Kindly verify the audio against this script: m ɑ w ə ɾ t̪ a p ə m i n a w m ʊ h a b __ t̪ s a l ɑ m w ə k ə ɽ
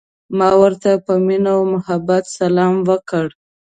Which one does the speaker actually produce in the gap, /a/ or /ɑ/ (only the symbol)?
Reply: a